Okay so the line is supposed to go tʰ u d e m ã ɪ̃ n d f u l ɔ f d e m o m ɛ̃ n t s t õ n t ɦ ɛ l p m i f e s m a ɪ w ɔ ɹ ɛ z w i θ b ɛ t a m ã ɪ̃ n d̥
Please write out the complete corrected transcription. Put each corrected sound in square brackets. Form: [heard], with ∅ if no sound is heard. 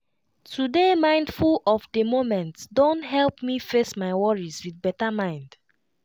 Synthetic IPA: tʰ u d e m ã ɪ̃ n d f u l ɔ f d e m o m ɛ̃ n t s [d] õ n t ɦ ɛ l p m i f e s m a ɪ w ɔ ɹ [i] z w i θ b ɛ t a m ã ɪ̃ n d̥